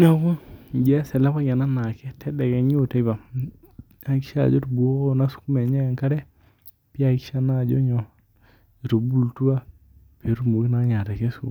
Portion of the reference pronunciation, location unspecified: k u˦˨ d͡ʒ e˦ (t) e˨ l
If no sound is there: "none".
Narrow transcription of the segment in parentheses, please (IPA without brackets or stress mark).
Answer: s